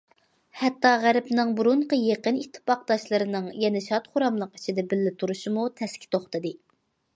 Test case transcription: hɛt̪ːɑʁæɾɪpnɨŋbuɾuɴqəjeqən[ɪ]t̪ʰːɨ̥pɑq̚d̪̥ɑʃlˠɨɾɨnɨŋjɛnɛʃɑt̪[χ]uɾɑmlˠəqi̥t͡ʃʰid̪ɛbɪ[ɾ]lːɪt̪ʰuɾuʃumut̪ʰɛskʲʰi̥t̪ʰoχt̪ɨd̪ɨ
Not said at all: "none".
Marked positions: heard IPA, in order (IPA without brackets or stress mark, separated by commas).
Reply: i, χ, none